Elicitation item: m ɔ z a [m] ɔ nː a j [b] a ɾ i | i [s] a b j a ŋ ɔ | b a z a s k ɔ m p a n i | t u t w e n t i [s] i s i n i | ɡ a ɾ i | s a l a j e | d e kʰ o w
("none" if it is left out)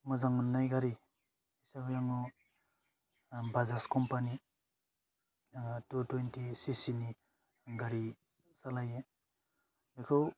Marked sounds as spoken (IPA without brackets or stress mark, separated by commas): ŋ, ɡ, s, s